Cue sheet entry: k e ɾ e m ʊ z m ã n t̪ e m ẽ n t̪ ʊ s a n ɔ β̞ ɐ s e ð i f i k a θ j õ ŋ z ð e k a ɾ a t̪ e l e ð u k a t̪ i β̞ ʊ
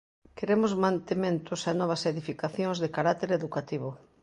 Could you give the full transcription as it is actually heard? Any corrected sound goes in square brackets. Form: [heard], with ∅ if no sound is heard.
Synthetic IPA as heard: k e ɾ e m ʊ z m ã n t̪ e m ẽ n t̪ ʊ s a n ɔ β̞ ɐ s e ð i f i k a θ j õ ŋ z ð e k a ɾ a t̪ e [ɾ] e ð u k a t̪ i β̞ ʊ